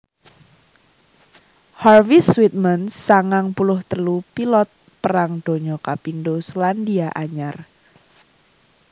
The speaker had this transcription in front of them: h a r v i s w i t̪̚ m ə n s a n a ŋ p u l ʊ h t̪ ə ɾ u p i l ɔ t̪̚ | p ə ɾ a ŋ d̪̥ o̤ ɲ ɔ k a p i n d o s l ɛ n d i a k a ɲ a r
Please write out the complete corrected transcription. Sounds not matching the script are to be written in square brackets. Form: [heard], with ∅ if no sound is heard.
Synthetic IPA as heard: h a r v i s w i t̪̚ m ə n s a [ŋ] a ŋ p u l ʊ h t̪ ə [l] u p i l ɔ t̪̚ | p ə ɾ a ŋ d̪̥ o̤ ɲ ɔ k a p i n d o s l [a] n d i a [ʔ] a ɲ a r